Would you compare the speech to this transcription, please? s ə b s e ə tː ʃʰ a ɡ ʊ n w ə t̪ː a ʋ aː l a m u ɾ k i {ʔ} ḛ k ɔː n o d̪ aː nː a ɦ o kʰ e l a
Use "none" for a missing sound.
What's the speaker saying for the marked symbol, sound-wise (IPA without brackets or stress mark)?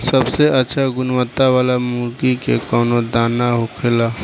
k